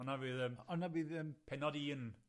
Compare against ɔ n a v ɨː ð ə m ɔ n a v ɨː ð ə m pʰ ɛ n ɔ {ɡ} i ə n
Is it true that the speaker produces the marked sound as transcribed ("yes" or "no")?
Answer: no